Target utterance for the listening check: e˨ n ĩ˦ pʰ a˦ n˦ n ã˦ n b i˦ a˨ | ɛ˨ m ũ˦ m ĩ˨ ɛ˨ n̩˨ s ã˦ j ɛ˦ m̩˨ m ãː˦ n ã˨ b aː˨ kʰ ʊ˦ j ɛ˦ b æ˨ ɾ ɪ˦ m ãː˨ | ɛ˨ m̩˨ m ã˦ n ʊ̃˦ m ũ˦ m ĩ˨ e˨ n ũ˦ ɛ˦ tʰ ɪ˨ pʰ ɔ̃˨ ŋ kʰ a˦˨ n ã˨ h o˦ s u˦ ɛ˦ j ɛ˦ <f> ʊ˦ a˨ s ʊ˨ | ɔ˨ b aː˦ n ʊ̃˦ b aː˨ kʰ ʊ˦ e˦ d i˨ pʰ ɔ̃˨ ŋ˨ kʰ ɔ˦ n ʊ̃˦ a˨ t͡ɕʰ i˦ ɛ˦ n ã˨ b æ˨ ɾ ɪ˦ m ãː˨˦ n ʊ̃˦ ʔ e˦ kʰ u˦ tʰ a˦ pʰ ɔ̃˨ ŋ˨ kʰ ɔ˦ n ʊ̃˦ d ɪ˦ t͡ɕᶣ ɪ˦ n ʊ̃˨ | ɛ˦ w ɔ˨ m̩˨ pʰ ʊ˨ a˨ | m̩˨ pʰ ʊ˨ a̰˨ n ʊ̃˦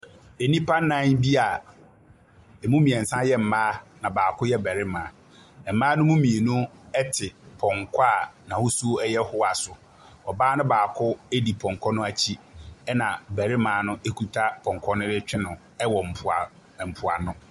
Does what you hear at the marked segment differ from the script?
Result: yes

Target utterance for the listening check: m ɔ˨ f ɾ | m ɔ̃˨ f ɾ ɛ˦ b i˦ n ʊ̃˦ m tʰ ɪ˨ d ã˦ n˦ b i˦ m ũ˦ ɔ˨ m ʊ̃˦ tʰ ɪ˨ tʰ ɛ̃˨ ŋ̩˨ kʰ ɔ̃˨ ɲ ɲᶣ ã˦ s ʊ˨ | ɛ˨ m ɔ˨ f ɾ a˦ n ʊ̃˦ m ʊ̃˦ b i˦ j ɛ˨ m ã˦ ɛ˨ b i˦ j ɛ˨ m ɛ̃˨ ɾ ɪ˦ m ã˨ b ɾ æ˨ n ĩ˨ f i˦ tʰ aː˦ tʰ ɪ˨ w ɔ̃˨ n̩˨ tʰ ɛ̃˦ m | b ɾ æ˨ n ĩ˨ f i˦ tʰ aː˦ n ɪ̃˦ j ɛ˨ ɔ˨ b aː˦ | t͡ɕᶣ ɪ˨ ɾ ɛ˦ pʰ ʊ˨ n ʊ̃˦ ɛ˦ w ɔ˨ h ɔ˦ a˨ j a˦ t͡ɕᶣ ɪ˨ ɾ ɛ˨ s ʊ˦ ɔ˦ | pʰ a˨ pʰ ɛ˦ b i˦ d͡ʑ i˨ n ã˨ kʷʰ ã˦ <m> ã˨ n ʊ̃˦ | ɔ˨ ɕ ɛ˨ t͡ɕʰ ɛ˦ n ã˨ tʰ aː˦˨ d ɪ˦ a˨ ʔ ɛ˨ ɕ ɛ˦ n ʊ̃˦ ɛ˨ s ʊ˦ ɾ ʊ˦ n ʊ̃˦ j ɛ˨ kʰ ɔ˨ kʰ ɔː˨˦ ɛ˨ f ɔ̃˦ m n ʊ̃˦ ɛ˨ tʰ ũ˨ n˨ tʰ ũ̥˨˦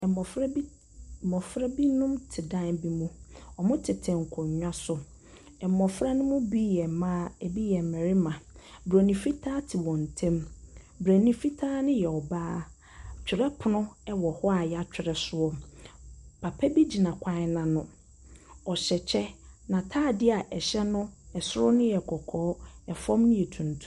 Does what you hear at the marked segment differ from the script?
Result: yes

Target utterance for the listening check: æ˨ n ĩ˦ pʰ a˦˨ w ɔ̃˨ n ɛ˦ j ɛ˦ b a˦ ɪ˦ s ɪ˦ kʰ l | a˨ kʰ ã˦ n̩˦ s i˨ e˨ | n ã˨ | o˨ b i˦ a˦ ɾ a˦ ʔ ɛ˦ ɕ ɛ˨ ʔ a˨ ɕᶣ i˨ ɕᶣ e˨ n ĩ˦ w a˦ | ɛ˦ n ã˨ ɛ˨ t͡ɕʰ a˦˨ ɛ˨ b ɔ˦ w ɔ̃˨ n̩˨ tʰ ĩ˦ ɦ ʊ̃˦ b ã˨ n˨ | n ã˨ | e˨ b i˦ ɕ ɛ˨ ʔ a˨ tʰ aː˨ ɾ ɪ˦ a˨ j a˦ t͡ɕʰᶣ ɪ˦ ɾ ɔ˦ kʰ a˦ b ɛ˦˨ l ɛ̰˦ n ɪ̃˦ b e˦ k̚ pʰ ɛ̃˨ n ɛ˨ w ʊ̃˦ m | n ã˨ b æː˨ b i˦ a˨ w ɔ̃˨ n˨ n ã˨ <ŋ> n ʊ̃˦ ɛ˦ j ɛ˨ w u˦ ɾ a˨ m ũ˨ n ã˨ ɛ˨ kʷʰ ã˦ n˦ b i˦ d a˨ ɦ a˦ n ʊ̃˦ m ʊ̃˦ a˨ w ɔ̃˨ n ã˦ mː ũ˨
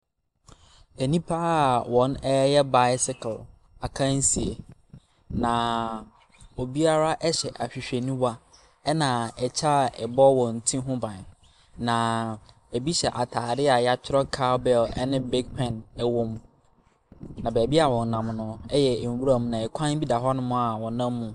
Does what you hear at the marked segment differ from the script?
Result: yes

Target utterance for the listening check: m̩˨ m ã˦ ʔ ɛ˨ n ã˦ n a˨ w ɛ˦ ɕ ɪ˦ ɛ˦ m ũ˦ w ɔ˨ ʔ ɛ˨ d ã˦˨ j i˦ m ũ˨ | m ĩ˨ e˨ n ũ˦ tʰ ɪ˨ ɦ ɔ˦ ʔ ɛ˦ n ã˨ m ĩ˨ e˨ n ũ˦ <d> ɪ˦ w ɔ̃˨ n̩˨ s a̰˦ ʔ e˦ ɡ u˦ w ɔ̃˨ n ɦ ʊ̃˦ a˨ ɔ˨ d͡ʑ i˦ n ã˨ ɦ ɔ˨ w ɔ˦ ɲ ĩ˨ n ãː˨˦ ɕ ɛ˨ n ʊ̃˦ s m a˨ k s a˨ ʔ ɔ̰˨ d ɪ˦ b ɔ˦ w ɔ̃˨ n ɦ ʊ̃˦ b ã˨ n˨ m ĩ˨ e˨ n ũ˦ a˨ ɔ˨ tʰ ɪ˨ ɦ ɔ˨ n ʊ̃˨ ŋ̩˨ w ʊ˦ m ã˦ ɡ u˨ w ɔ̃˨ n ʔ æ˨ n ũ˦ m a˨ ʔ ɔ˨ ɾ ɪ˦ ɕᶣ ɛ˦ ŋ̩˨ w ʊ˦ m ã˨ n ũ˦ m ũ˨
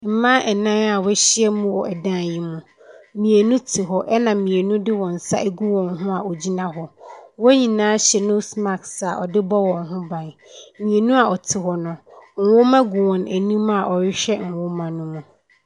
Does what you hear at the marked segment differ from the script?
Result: no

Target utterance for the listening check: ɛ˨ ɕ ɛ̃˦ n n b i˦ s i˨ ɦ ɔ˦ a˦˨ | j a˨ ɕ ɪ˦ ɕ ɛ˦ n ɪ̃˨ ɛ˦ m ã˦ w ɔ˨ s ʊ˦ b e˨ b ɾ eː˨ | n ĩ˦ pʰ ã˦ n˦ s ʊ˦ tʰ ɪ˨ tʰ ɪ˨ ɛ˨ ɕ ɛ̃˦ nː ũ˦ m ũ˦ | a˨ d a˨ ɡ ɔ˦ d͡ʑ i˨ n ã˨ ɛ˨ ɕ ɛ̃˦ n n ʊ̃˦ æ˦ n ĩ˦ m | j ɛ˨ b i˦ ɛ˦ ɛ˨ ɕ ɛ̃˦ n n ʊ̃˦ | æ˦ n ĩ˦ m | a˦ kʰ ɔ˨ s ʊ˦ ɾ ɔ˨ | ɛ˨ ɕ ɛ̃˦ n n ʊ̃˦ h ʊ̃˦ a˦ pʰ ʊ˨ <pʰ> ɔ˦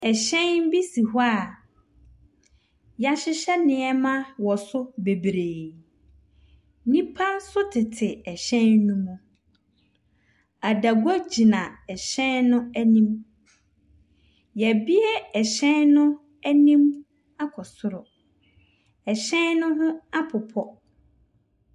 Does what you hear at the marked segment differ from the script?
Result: no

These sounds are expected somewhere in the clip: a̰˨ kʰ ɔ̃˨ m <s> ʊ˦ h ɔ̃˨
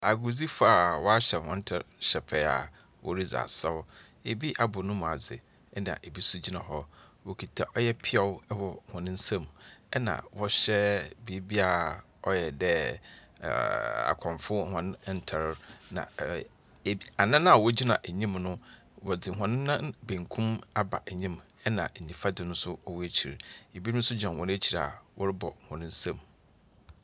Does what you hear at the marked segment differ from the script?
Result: yes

